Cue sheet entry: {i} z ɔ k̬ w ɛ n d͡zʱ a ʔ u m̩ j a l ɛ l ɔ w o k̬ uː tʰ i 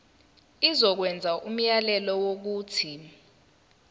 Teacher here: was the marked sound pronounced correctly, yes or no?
yes